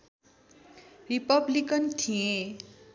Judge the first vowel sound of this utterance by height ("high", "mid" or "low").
high